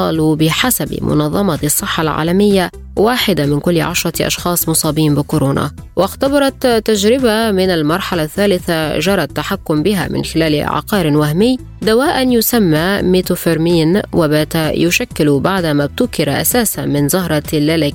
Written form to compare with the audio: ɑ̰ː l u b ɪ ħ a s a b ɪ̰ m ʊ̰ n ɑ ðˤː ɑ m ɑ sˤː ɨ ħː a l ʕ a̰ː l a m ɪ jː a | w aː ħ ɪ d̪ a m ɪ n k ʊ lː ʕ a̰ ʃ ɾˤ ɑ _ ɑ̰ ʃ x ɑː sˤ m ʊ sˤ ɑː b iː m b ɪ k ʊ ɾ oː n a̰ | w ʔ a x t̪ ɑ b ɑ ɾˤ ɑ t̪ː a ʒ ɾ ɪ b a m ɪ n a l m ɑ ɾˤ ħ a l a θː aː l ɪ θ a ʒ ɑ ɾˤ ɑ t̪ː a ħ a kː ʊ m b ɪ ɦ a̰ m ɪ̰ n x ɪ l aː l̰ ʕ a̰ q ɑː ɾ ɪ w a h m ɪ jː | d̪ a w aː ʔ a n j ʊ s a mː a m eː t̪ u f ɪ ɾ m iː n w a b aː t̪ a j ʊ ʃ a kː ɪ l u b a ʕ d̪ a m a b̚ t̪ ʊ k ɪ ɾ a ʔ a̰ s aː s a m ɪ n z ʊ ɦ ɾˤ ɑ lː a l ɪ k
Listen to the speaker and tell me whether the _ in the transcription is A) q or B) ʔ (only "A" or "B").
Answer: B